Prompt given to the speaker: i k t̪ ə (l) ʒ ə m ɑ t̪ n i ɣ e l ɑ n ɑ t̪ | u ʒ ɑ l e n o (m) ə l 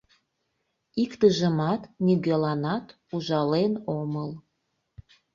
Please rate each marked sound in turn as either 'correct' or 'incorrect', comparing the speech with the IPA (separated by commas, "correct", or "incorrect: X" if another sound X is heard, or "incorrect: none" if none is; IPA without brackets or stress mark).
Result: incorrect: none, correct